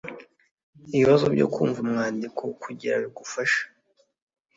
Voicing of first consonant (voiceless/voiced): voiced